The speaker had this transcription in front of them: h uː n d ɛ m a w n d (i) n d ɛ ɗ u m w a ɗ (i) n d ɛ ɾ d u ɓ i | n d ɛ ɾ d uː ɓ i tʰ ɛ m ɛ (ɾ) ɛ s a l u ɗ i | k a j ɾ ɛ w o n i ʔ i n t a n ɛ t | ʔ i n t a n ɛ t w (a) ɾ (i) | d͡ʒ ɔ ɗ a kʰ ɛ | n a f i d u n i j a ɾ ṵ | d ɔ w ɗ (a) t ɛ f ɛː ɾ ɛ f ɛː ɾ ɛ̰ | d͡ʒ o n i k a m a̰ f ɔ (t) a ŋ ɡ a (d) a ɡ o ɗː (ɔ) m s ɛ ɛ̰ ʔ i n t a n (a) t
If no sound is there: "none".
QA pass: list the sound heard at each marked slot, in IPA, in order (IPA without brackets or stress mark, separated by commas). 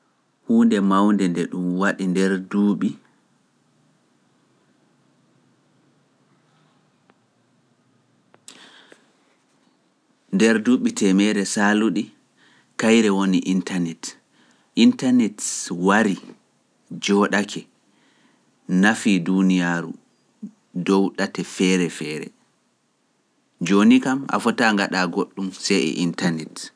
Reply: ɛ, i, ɾ, a, i, a, t, ɗ, u, ɛ